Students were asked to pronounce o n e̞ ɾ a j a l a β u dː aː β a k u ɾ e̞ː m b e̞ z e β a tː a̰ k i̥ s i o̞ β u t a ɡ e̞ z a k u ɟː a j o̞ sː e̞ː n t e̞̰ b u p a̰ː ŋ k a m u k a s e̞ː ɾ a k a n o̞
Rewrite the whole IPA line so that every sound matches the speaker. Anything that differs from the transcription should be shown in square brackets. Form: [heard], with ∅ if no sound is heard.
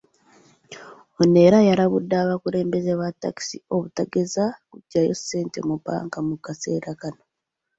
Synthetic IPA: o n e̞ ɾ a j a [ɾ] a β u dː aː β a k u ɾ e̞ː m b e̞ z e β a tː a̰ k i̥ s i o̞ β u t a ɡ e̞ z a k u ɟː a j o̞ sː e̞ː n t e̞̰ [m] u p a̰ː ŋ k a m u k a s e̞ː ɾ a k a n o̞